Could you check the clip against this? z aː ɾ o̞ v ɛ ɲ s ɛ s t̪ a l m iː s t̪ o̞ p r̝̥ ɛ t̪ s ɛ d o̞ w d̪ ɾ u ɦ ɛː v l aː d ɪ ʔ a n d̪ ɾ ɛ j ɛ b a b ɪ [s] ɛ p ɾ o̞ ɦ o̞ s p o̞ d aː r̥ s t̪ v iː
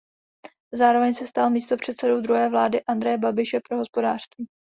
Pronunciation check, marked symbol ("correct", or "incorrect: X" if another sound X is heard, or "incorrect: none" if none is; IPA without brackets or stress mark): incorrect: ʃ